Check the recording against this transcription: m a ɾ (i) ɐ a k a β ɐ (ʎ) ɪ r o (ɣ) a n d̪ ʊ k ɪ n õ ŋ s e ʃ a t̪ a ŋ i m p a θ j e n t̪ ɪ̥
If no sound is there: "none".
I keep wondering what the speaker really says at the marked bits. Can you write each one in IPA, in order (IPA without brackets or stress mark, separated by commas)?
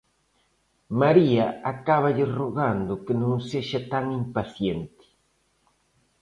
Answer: i, ʎ, ɣ